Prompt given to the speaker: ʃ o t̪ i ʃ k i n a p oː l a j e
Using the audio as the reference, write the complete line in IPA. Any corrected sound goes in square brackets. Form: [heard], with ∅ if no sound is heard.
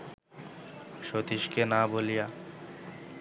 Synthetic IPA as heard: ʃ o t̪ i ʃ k [e] n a [b] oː l [i] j [a]